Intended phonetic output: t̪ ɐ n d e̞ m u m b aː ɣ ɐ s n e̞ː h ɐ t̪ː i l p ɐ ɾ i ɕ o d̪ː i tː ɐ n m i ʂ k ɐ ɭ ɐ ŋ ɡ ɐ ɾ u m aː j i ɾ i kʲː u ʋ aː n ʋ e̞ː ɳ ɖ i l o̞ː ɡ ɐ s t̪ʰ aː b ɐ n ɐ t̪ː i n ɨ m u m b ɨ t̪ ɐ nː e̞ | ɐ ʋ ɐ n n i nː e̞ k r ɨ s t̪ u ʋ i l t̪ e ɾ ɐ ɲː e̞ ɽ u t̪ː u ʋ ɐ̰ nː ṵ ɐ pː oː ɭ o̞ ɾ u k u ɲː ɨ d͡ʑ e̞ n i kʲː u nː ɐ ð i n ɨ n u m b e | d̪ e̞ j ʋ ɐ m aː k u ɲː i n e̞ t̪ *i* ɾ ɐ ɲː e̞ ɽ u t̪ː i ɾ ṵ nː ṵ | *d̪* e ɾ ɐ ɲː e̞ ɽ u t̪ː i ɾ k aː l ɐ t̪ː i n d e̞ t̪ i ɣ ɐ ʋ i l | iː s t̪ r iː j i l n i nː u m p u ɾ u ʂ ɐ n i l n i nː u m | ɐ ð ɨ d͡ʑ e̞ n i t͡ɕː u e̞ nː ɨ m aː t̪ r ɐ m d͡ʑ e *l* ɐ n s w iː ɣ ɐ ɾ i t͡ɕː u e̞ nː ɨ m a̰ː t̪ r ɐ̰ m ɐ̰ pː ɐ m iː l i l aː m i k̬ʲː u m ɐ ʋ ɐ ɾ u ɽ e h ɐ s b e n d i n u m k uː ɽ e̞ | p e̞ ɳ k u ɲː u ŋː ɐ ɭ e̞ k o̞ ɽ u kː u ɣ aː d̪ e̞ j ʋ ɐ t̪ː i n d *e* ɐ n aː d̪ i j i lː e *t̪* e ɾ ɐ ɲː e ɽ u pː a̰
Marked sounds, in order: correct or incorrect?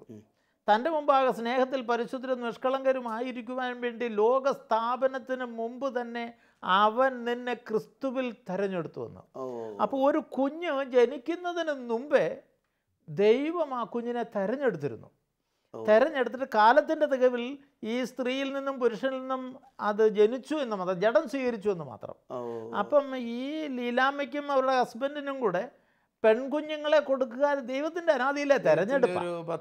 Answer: incorrect, incorrect, incorrect, correct, correct

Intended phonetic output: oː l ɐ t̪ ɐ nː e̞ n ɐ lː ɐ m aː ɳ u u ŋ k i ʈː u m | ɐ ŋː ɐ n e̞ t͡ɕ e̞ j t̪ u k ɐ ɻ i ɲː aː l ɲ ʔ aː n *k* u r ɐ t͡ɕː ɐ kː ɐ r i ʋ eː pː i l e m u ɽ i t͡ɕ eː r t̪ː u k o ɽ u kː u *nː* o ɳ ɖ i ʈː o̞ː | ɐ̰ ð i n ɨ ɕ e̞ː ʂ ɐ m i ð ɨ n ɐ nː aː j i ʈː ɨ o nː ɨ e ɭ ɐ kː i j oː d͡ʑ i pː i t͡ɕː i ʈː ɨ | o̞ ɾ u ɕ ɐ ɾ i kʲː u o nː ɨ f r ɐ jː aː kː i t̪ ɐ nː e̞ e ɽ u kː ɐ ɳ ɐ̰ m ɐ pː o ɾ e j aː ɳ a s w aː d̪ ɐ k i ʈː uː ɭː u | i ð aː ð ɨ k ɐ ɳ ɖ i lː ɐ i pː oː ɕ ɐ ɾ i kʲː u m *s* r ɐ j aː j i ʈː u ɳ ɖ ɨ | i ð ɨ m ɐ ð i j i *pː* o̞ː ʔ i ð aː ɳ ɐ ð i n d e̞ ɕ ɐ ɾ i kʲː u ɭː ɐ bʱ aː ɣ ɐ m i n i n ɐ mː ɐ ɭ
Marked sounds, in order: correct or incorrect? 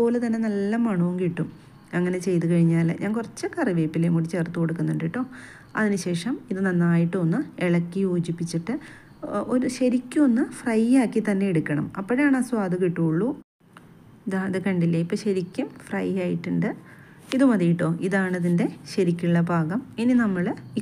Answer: correct, correct, incorrect, incorrect

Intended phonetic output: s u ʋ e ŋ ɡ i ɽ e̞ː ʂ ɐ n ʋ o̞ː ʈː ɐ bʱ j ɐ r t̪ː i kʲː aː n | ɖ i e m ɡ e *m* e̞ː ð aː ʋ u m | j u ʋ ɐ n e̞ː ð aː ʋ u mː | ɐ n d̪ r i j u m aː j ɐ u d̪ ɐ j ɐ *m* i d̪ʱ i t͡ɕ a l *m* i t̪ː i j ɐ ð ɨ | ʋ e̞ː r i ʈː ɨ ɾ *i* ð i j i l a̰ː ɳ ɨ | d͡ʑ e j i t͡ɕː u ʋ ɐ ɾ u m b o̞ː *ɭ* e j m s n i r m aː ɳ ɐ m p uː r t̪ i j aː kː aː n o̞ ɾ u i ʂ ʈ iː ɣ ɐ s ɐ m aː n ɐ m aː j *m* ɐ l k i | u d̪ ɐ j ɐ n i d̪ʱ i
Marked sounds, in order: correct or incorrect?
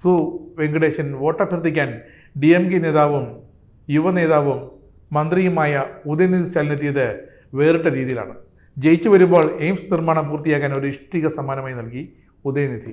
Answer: incorrect, incorrect, incorrect, incorrect, correct, incorrect

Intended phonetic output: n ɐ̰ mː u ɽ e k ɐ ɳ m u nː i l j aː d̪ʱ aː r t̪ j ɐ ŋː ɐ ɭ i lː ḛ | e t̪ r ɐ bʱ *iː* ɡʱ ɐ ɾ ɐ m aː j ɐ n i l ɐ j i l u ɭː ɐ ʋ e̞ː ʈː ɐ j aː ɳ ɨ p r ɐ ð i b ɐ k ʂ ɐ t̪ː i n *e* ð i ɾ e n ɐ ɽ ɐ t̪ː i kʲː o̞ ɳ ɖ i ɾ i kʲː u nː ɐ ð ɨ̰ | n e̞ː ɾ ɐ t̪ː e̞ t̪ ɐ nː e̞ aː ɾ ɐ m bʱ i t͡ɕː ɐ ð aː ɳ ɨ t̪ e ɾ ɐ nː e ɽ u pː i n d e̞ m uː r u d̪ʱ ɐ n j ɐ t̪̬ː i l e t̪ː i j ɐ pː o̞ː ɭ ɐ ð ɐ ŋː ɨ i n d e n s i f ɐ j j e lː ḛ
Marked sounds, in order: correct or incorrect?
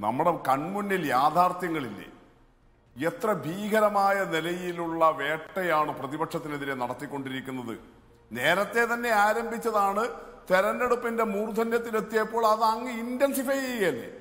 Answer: correct, correct

